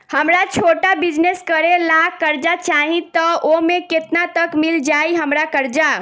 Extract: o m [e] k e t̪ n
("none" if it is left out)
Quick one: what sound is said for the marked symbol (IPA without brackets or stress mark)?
e